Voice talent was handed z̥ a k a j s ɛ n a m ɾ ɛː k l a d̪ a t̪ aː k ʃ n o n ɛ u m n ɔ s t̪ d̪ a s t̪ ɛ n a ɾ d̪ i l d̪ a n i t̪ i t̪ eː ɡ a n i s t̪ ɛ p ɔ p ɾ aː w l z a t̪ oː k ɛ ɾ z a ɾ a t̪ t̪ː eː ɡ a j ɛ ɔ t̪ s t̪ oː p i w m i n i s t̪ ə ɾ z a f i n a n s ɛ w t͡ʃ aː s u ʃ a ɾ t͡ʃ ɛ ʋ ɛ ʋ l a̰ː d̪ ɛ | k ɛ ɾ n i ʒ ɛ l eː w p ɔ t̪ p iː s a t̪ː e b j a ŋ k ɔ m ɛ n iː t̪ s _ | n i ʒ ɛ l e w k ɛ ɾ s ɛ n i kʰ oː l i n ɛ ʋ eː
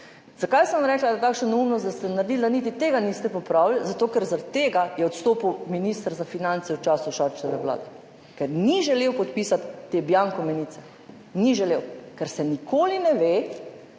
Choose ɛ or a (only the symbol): ɛ